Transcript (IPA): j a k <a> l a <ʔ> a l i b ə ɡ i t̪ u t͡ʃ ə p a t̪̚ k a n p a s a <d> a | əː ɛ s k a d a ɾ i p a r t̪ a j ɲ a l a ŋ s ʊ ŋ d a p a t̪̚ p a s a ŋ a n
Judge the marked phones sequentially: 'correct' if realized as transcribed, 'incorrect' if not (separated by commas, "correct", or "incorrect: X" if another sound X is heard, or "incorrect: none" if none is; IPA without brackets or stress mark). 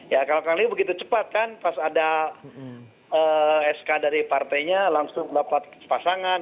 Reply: correct, incorrect: k, correct